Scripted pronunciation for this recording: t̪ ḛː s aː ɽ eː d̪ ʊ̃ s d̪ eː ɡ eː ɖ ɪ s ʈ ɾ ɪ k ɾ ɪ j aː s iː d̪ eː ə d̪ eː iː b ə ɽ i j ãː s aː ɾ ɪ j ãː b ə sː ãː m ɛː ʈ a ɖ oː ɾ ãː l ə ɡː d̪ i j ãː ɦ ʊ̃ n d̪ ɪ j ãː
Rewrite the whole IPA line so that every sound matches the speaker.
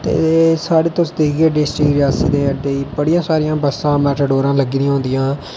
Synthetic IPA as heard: t̪ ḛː s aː ɽ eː t̪ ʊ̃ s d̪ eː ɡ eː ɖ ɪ s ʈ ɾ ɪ k ɾ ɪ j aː s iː d̪ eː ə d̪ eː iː b ə ɽ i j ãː s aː ɾ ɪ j ãː b ə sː ãː m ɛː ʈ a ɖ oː ɾ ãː l ə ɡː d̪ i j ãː ɦ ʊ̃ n d̪ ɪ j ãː